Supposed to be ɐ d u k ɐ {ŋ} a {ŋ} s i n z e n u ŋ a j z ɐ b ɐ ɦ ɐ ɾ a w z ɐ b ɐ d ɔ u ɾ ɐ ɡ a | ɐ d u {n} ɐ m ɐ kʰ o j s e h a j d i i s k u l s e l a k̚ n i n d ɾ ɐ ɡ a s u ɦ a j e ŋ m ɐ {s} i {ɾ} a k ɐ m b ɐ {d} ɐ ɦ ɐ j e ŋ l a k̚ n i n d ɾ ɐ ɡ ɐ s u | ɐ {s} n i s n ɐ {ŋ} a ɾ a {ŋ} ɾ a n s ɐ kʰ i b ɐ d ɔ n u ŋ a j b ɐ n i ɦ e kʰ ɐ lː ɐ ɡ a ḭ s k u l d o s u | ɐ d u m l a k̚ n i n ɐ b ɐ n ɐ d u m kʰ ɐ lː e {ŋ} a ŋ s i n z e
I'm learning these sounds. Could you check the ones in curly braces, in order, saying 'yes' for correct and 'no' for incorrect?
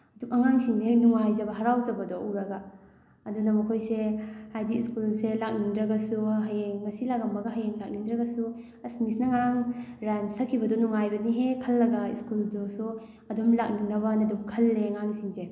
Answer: yes, yes, yes, yes, no, no, yes, yes, yes, yes

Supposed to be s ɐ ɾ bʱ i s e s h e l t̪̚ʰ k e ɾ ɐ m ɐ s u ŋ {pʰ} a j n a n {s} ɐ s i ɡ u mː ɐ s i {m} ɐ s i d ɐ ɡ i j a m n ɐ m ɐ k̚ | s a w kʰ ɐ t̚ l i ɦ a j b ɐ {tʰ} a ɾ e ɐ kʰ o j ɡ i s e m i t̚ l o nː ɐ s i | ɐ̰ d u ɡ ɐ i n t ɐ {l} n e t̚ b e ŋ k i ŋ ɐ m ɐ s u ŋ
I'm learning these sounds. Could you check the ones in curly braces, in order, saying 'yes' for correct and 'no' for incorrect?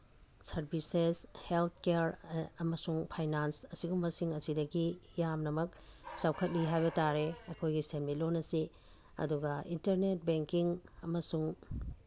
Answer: yes, yes, no, no, no

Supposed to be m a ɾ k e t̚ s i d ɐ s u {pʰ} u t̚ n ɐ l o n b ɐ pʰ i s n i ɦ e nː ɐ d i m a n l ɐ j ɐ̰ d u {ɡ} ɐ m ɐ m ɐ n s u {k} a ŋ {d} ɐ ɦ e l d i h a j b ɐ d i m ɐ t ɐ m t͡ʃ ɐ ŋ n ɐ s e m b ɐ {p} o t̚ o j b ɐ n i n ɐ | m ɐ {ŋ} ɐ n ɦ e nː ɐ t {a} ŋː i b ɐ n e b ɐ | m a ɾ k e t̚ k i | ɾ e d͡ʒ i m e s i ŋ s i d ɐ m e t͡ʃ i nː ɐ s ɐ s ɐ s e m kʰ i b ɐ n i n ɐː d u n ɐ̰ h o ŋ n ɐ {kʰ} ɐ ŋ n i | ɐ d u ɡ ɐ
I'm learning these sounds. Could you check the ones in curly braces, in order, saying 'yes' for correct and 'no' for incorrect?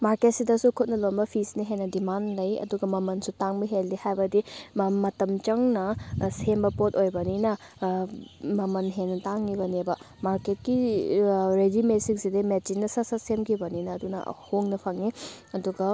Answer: no, yes, no, no, yes, no, yes, no

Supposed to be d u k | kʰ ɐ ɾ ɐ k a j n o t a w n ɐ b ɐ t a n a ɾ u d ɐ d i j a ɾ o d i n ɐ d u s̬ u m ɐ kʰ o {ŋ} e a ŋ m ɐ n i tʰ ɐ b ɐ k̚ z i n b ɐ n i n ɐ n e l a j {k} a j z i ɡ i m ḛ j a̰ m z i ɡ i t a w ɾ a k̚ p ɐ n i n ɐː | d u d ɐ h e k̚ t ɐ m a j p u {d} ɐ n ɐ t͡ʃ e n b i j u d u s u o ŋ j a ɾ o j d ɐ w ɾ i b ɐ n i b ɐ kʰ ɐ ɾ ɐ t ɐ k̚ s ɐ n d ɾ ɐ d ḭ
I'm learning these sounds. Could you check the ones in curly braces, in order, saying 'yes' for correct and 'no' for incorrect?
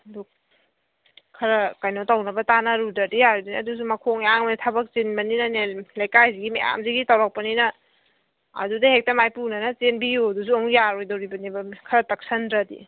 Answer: yes, yes, no

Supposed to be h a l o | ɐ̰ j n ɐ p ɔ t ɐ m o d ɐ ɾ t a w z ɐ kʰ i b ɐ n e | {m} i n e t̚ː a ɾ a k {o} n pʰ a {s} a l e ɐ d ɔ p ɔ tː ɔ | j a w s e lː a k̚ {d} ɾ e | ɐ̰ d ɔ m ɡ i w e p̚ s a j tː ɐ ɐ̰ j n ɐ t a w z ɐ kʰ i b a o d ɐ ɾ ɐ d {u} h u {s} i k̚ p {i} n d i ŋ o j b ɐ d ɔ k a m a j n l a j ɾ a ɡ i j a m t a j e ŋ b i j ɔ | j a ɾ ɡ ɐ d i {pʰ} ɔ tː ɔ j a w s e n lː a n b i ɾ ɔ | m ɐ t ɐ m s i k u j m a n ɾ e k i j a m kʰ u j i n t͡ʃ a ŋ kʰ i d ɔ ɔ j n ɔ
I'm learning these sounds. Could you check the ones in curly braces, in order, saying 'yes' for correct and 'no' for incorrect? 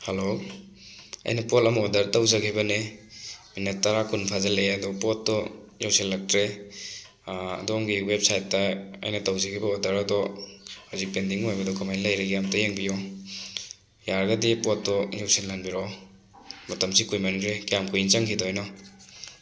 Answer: yes, no, no, no, no, no, no, no

